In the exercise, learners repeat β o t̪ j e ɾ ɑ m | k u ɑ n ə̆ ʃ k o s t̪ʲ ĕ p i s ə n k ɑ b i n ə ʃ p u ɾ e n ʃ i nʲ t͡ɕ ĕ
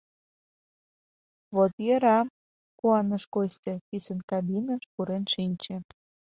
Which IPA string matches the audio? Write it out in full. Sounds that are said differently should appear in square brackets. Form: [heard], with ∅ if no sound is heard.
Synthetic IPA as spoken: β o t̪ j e ɾ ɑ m | k u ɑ n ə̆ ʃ k o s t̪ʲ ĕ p i s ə n k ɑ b i n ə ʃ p u ɾ e n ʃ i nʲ t͡ɕ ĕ